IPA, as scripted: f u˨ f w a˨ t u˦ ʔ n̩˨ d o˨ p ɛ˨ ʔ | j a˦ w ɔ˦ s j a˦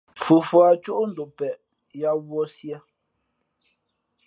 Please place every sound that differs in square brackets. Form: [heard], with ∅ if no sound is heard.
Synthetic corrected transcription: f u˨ f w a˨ [t͡ʃ] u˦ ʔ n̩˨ d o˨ p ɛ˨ ʔ | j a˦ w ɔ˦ s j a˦